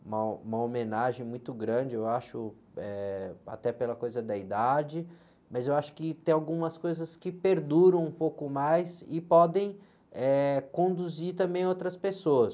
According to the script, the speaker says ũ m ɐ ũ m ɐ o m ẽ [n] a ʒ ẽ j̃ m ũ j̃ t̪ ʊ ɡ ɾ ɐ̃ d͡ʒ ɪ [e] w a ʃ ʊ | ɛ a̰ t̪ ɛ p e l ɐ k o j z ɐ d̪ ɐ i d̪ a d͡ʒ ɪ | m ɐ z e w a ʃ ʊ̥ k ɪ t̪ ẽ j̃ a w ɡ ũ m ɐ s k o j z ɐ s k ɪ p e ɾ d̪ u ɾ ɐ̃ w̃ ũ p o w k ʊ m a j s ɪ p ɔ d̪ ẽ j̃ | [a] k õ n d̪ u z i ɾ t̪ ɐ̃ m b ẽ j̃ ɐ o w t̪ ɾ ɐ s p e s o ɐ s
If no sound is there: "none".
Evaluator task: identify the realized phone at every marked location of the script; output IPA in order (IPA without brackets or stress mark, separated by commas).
n, e, ɛ